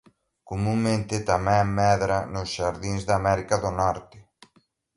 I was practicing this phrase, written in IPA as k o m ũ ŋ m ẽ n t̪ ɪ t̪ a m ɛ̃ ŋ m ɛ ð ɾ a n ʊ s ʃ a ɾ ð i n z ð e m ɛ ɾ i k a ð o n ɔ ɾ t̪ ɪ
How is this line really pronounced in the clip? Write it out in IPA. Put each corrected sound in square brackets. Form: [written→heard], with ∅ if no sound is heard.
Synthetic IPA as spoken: k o m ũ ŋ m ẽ n t̪ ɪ t̪ a m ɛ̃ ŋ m ɛ ð ɾ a n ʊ s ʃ a ɾ ð i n z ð [e→a] m ɛ ɾ i k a ð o n ɔ ɾ t̪ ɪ